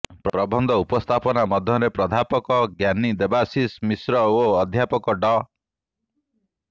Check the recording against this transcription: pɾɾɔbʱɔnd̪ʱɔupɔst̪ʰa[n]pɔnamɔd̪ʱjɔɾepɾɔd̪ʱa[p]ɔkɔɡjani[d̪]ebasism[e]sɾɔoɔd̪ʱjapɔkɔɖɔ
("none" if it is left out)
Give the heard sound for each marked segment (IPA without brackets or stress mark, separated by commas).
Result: none, p, d̪, i